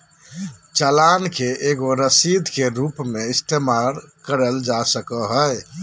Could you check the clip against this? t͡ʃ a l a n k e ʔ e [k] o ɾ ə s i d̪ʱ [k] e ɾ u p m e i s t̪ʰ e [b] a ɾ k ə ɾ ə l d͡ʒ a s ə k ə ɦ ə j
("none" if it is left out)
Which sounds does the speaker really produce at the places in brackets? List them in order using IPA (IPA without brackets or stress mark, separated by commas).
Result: ɡ, k, m